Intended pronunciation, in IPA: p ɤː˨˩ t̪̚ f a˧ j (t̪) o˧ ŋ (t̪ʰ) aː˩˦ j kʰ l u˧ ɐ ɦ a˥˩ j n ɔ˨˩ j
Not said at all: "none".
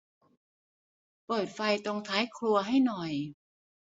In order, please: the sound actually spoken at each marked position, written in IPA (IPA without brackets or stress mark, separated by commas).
t̪, t̪ʰ